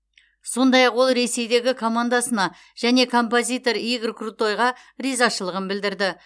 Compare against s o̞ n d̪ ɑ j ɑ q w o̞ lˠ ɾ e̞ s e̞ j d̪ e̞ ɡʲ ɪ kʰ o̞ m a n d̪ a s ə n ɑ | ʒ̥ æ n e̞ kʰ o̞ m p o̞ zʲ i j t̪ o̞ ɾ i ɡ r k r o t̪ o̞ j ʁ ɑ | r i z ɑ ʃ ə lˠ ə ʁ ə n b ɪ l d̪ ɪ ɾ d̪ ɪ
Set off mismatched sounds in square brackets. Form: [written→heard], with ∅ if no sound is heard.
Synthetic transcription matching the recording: s o̞ n d̪ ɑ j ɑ q w o̞ lˠ ɾ e̞ s e̞ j d̪ e̞ ɡʲ ɪ kʰ o̞ m a n d̪ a s ə n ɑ | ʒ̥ æ n e̞ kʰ o̞ m p o̞ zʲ i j t̪ o̞ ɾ i ɡ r k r [o→u] t̪ o̞ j ʁ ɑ | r i z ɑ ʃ ə lˠ ə ʁ ə n b ɪ l d̪ ɪ ɾ d̪ ɪ